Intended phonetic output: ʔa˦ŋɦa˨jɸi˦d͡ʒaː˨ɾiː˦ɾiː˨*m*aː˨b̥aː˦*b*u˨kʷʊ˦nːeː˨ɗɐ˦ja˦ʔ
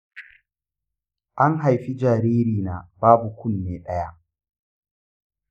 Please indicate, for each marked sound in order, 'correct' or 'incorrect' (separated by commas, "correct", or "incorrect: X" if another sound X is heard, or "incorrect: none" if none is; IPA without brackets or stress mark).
incorrect: n, correct